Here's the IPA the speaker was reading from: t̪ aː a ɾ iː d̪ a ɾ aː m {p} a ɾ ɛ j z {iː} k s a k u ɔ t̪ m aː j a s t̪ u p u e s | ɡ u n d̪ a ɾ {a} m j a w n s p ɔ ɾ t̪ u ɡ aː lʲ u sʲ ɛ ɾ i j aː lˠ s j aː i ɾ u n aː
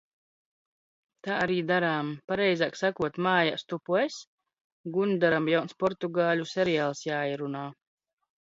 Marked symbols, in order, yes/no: yes, no, yes

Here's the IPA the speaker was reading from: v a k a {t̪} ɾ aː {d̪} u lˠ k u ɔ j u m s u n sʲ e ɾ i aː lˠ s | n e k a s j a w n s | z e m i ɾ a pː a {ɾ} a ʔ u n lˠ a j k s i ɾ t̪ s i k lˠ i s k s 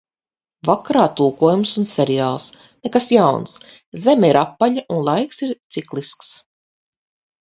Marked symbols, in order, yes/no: no, no, no

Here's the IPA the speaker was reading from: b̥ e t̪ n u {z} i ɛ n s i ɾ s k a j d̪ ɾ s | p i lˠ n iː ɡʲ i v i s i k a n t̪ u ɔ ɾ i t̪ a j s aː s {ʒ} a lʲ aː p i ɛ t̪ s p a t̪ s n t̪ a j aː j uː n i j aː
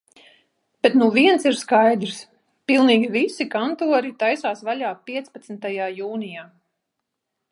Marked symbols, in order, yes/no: no, no

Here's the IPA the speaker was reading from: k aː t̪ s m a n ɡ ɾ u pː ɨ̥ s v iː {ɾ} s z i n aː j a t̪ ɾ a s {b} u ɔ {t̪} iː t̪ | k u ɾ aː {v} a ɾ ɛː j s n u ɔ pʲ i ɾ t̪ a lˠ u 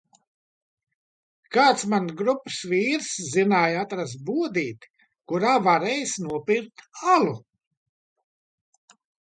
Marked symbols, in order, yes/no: yes, yes, no, yes

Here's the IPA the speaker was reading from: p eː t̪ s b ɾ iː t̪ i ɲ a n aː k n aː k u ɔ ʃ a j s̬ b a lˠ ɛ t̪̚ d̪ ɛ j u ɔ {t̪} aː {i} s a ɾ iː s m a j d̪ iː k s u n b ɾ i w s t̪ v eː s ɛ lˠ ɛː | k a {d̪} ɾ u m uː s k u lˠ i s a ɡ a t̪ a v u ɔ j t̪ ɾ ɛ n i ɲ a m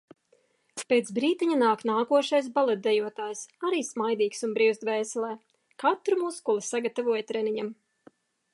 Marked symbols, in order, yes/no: yes, no, no

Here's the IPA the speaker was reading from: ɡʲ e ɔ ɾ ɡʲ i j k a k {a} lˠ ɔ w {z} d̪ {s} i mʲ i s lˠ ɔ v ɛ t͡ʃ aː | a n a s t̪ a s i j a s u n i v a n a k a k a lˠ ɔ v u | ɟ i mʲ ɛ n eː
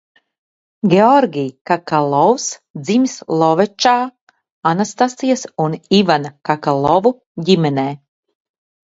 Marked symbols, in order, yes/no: yes, no, no

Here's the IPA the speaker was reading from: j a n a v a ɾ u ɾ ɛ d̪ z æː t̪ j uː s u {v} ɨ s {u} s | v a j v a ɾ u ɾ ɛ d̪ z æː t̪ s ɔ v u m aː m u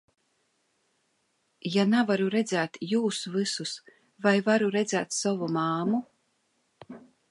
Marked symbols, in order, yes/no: yes, yes

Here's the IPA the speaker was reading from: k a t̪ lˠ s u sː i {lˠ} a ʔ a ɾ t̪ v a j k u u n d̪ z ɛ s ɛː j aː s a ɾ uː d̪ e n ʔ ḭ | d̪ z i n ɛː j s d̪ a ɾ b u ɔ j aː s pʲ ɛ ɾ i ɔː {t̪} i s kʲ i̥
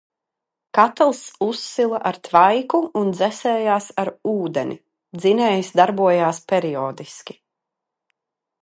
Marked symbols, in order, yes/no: yes, no

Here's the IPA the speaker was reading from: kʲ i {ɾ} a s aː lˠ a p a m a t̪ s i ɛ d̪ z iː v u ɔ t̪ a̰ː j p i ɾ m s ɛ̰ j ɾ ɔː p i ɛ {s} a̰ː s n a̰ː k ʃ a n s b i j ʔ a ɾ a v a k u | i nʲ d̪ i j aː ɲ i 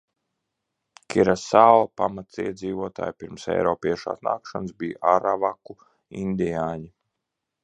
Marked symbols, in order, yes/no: yes, no

